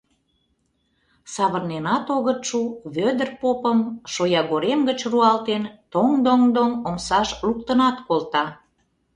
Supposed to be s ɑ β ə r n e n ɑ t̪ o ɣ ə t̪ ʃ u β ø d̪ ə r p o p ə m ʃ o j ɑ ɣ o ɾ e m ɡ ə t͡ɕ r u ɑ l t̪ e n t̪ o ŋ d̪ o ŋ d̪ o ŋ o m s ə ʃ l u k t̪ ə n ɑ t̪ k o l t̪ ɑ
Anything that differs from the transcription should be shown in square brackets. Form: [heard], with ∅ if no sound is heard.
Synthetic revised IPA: s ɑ β ə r n e n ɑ t̪ o ɣ ə t̪ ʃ u β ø d̪ ə r p o p ə m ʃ o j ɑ ɣ o ɾ e m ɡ ə t͡ɕ r u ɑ l t̪ e n t̪ o ŋ d̪ o ŋ d̪ o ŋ o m s [ɑ] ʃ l u k t̪ ə n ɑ t̪ k o l t̪ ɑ